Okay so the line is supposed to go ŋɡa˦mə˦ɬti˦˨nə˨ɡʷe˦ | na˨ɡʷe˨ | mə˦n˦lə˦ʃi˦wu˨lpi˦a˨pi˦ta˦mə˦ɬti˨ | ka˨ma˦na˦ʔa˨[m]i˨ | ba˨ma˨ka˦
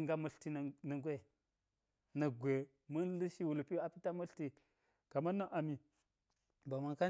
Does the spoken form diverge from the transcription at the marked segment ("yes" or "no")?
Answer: no